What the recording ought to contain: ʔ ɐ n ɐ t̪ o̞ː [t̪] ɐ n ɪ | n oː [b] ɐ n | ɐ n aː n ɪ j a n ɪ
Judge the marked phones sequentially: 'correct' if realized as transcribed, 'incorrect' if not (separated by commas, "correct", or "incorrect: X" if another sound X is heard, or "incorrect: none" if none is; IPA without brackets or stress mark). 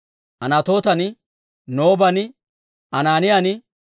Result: correct, correct